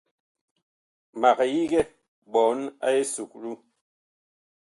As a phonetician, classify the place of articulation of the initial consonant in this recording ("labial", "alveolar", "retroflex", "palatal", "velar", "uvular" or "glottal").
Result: labial